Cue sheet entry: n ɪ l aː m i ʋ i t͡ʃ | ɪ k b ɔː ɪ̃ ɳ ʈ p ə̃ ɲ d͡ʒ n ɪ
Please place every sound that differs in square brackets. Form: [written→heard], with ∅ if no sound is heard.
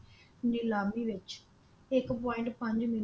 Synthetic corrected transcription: n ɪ l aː m i ʋ [i→ɪ] t͡ʃ | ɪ k [b→p] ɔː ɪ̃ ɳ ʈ p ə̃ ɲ d͡ʒ [n→m] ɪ